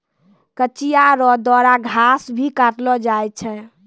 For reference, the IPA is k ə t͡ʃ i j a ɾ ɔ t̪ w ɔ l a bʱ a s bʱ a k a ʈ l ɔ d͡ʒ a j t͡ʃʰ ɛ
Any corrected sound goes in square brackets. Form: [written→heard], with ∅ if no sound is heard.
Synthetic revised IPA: k ə t͡ʃ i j a ɾ ɔ [t̪→d̪] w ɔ [l→ɾ] a [bʱ→ɡʱ] a s bʱ [a→i] k a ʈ l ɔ d͡ʒ a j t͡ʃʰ ɛ